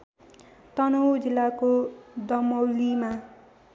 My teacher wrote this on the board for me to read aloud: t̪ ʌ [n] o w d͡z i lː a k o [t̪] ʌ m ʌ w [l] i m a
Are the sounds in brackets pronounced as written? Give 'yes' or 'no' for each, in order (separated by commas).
yes, no, yes